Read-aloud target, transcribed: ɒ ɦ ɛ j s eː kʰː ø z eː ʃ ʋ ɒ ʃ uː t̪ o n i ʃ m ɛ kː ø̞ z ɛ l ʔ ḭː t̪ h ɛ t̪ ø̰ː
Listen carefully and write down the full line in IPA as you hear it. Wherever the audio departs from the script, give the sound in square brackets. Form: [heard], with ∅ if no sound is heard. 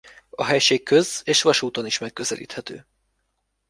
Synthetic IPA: ɒ ɦ ɛ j [ʃ] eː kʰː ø z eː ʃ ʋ ɒ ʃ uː t̪ o n i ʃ m ɛ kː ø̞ z ɛ l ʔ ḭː t̪ h ɛ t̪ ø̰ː